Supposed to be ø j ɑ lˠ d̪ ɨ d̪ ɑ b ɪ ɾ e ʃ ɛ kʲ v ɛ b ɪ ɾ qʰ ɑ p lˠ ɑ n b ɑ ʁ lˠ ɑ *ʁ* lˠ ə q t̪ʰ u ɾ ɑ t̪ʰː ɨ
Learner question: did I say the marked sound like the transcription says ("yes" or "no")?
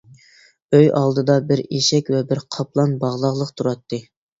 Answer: yes